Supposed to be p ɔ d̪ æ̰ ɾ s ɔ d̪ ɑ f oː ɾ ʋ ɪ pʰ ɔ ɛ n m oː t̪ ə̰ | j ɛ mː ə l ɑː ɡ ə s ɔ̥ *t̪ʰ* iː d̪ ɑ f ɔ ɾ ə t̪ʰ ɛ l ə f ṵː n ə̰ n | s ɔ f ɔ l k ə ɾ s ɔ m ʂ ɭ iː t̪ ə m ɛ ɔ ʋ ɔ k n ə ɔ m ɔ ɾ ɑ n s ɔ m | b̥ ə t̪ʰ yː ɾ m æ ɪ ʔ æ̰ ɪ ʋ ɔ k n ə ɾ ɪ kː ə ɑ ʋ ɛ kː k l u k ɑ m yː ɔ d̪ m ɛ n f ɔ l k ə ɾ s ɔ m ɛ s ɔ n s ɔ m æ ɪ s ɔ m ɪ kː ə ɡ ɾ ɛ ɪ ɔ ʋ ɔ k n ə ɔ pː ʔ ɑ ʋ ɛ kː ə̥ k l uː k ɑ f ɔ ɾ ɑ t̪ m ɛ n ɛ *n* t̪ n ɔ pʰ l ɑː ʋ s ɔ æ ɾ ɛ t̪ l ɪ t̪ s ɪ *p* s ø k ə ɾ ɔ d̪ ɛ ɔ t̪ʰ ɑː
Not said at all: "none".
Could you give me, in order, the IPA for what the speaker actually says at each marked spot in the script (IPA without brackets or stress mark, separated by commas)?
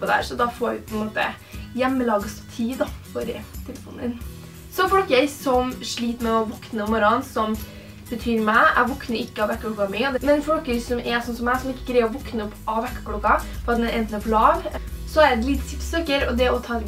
t̪ʰ, n, p